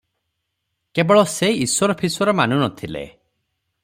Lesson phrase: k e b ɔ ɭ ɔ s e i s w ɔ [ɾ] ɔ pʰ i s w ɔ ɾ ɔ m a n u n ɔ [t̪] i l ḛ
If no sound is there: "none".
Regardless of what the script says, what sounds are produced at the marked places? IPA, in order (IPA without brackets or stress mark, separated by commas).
ɾ, t̪ʰ